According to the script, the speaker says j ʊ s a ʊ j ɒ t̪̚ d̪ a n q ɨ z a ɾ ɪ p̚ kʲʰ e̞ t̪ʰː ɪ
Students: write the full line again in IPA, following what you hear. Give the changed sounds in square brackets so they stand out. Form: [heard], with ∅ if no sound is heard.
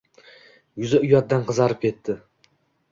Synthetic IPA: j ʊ [z] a ʊ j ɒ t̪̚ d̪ a n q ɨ z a ɾ ɪ p̚ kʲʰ e̞ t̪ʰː ɪ